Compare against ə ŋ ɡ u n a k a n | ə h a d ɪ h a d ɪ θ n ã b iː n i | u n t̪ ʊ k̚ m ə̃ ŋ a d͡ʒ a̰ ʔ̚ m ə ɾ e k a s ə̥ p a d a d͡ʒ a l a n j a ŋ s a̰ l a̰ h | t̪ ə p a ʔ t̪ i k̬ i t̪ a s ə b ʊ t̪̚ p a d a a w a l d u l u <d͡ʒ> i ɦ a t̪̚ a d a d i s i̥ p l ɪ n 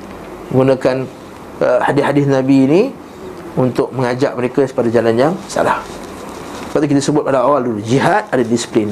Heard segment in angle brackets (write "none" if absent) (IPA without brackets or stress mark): d͡ʒ